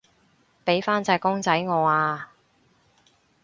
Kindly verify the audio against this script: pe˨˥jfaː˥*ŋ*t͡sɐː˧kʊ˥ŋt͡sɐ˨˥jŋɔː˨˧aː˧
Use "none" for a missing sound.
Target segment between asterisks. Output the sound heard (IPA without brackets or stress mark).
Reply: n